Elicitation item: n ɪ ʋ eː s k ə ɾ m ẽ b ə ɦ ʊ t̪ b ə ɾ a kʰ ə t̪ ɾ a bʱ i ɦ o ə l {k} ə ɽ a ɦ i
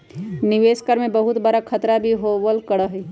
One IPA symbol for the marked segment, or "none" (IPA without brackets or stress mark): k